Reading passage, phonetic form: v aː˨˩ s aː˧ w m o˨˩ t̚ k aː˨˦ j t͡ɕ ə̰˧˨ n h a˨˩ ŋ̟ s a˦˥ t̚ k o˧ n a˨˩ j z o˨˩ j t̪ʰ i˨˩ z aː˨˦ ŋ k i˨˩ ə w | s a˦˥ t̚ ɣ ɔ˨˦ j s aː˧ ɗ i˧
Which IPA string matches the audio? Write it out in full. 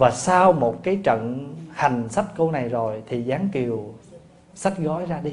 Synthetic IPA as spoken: v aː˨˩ s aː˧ w m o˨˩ t̚ k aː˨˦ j t͡ɕ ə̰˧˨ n h a˨˩ ŋ̟ s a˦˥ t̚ k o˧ n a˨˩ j z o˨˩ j t̪ʰ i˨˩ z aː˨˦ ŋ k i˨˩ ə w | s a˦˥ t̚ ɣ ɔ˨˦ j z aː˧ ɗ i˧